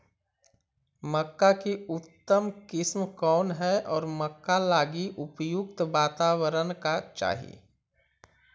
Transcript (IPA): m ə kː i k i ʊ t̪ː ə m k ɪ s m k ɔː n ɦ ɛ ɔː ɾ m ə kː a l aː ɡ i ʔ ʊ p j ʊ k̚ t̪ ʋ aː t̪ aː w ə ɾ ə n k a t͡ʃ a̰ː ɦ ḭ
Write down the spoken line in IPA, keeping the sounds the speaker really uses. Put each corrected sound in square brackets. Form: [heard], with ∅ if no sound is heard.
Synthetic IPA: m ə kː [a] k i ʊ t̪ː ə m k ɪ s m k ɔː n ɦ ɛ ɔː ɾ m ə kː a l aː ɡ i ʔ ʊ p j ʊ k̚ t̪ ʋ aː t̪ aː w ə ɾ ə n k a t͡ʃ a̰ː ɦ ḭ